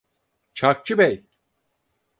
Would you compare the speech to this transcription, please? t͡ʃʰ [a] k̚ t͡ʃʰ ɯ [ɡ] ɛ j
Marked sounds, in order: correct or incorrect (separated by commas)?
correct, incorrect